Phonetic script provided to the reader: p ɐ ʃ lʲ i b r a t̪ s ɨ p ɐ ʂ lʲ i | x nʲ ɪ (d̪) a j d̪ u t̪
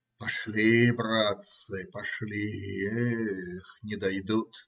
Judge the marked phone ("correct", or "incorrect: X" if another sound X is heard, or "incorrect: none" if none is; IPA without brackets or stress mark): correct